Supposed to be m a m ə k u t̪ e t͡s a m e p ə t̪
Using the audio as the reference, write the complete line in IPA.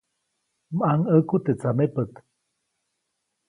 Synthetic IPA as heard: m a ŋ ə k u t̪ e t͡s a m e p ə t̪